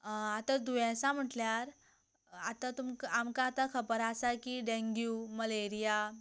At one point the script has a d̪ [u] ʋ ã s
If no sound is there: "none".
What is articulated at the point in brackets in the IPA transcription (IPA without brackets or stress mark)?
u